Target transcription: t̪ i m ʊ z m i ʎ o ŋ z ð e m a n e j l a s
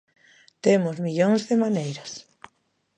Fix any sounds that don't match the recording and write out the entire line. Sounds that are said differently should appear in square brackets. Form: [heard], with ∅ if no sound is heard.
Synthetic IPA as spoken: t̪ [e] m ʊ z m i ʎ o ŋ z ð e m a n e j [ɾ] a s